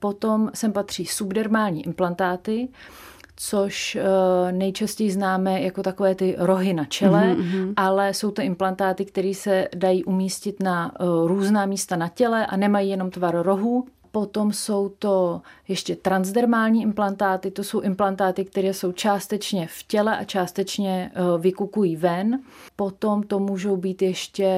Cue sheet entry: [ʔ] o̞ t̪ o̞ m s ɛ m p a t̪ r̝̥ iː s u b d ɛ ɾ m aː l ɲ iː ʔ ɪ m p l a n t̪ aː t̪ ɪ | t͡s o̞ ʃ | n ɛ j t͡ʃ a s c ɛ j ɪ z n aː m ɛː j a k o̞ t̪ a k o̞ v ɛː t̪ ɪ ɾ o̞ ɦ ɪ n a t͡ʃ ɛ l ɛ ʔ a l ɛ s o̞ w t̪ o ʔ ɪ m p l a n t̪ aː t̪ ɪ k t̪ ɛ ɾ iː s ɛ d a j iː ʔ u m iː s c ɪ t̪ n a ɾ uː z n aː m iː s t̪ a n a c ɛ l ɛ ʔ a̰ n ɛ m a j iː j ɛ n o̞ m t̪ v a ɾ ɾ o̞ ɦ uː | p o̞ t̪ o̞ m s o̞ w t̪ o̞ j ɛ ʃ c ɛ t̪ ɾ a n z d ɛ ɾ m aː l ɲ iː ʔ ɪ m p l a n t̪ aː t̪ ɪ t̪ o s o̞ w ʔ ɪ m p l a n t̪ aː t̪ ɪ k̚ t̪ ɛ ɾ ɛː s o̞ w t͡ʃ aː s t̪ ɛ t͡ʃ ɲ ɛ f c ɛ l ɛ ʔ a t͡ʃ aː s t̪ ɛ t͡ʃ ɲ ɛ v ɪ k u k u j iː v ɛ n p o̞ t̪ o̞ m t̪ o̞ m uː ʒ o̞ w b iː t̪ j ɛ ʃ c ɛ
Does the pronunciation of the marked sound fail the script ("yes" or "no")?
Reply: yes